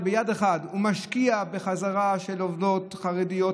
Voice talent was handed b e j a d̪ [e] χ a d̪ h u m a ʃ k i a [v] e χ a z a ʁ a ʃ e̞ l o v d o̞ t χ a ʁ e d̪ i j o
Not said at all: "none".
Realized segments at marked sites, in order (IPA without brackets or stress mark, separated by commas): e, b